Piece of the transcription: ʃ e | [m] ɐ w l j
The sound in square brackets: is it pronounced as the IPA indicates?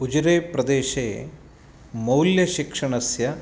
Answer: yes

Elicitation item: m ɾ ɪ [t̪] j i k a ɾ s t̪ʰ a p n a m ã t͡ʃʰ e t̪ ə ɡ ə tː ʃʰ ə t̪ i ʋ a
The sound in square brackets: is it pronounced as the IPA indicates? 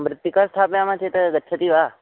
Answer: yes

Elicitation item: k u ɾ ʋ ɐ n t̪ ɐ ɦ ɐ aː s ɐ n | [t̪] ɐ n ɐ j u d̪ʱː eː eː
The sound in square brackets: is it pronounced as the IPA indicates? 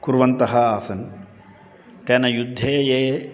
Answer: yes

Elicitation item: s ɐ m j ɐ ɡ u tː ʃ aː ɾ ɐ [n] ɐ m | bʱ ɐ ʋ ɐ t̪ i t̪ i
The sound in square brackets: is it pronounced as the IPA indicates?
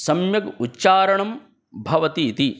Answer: no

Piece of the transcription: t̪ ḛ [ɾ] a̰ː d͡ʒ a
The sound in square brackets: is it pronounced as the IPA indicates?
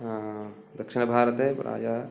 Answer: yes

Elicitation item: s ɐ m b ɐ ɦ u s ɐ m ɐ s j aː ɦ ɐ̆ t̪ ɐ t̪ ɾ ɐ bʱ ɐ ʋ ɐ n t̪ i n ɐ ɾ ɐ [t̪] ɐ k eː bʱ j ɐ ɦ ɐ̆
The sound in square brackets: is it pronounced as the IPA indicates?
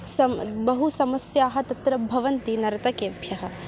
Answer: yes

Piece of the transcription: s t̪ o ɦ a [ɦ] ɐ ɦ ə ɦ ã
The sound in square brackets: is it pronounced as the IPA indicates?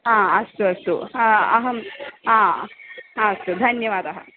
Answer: no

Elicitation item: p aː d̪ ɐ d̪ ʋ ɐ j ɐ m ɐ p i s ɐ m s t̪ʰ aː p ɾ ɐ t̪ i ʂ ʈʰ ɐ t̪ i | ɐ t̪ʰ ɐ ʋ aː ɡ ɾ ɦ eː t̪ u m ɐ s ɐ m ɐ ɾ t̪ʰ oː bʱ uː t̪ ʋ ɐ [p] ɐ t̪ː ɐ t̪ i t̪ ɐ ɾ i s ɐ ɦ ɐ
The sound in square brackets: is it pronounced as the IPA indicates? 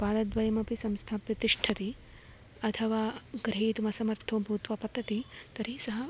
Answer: yes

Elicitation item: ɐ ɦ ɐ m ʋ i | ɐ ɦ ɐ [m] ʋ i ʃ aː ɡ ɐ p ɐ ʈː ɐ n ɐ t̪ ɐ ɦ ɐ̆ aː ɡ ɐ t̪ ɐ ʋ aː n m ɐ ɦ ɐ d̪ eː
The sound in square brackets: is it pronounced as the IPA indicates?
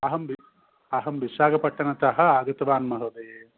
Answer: yes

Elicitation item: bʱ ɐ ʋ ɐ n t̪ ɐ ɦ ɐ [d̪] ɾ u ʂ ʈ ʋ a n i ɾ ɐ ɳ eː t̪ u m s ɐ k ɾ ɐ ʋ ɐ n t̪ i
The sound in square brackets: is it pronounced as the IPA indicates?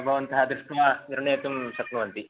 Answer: yes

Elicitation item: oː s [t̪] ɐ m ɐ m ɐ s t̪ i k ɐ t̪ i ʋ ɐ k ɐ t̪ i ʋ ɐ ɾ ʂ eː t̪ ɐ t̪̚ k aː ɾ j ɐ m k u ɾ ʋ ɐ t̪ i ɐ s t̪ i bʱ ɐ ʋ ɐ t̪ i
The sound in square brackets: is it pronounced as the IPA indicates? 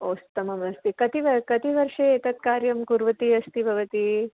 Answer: yes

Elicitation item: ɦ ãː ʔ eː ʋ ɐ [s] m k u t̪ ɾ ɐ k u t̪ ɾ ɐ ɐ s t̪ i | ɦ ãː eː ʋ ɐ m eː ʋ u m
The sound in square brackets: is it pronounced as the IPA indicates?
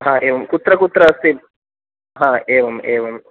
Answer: no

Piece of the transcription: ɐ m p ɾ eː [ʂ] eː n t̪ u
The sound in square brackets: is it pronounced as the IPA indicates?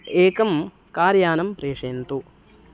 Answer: yes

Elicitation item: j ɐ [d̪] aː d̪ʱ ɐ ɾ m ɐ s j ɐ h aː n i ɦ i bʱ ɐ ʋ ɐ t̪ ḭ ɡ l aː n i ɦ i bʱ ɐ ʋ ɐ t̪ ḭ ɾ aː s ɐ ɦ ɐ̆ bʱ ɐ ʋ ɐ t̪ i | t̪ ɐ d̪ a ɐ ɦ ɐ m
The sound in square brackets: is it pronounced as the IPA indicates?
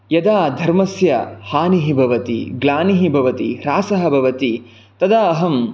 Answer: yes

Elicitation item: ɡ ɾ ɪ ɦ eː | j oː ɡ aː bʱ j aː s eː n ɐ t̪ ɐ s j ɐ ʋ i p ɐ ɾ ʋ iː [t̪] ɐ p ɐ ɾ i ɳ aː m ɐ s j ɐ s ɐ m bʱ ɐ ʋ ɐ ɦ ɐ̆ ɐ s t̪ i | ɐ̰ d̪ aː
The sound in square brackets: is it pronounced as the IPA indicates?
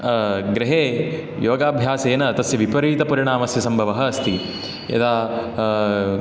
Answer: yes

